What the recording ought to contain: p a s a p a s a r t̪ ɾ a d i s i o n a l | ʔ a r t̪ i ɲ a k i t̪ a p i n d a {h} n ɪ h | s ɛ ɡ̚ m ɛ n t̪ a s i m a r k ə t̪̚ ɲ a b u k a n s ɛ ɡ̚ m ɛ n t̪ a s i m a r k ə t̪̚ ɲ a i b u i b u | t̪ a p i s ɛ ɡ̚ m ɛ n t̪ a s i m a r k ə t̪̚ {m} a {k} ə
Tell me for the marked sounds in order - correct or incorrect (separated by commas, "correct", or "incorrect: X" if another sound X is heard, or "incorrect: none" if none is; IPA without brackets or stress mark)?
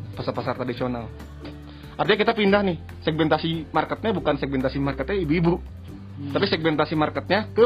correct, incorrect: ɲ, correct